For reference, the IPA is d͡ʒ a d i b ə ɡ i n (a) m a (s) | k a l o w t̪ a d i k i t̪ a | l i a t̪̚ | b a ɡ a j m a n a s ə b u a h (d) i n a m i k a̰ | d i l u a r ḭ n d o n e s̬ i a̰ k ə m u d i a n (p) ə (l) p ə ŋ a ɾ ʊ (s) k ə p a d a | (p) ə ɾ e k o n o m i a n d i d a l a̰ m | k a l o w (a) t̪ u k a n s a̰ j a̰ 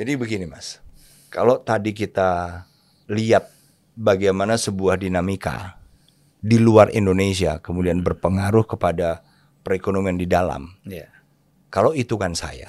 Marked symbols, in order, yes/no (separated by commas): no, yes, yes, no, no, no, yes, no